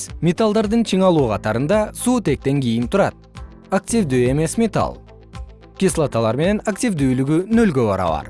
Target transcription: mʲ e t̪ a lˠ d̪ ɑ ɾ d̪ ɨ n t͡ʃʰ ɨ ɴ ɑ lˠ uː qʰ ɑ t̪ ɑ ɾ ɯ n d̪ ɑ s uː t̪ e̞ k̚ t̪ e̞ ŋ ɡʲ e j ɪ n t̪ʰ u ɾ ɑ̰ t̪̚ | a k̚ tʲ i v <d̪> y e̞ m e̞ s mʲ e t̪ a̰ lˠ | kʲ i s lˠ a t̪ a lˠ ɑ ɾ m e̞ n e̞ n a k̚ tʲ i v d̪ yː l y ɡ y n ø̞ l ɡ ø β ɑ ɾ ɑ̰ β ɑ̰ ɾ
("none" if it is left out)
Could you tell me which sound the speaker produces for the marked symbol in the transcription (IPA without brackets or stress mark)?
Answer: d̪